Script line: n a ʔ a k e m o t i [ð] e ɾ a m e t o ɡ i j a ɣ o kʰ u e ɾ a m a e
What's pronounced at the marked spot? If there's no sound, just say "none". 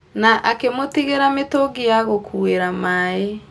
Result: ɣ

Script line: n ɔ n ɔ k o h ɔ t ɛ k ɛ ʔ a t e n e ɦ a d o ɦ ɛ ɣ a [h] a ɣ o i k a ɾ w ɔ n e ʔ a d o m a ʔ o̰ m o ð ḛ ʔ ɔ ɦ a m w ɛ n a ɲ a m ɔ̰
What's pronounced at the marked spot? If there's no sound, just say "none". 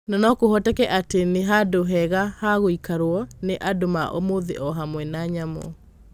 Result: h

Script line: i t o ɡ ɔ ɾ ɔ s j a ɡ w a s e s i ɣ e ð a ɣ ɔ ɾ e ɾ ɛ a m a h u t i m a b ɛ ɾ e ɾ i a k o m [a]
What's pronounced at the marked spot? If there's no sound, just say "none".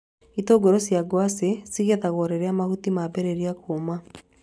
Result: a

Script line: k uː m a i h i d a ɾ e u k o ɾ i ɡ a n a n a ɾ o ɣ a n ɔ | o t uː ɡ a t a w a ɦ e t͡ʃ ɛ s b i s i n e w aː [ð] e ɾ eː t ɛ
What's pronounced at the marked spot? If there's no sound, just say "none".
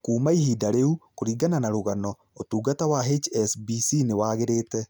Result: ɣ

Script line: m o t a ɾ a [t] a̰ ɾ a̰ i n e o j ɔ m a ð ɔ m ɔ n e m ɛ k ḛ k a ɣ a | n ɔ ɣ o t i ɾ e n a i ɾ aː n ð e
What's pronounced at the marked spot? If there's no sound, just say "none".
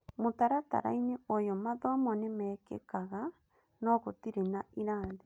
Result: t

